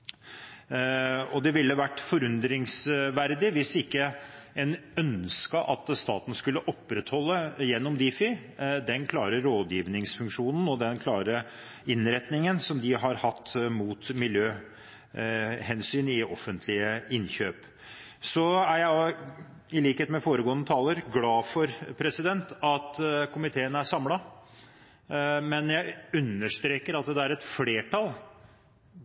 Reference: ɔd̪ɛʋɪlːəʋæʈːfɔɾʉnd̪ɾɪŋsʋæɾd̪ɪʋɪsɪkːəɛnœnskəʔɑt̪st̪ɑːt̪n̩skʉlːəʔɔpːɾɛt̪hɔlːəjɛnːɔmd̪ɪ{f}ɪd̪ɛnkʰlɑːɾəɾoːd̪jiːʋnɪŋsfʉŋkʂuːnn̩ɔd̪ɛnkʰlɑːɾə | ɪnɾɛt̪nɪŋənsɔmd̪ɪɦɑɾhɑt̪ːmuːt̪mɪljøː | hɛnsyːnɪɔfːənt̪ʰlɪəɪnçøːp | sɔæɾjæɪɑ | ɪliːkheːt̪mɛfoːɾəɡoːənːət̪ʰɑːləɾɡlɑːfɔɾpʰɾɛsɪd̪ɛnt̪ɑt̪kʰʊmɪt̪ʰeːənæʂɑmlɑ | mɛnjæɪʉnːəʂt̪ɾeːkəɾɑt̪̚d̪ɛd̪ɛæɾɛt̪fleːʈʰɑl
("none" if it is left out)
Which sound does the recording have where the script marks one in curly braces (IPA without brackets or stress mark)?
f